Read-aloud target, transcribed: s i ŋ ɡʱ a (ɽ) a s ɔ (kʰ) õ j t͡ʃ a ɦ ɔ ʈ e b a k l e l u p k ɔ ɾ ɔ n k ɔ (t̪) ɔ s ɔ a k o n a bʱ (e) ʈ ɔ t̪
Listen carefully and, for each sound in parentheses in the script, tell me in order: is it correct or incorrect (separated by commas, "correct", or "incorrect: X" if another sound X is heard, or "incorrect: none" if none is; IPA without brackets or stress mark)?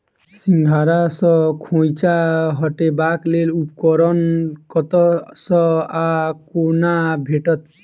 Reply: incorrect: ɾ, correct, correct, correct